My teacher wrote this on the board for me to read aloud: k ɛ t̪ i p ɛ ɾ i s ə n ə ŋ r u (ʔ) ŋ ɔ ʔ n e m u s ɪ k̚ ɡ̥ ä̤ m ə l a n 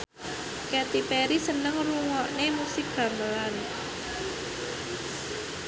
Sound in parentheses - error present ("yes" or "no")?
yes